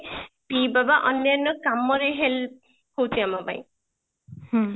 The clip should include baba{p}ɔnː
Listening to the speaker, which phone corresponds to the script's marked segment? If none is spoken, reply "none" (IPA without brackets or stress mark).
ʔ